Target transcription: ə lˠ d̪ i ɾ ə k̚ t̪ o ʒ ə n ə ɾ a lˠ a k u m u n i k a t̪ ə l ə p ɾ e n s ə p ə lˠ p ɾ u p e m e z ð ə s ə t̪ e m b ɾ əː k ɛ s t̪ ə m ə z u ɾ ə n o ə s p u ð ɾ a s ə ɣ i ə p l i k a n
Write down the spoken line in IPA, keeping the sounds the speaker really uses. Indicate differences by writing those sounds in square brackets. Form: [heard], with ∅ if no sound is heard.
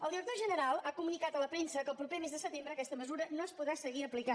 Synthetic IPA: ə lˠ d̪ i ɾ ə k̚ t̪ o ʒ ə n ə ɾ a lˠ a k u m u n i k a t̪ ə l ə p ɾ e n s ə [k] ə lˠ p ɾ u p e m e z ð ə s ə t̪ e m b ɾ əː k ɛ s t̪ ə m ə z u ɾ ə n o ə s p u ð ɾ a s ə ɣ i ə p l i k a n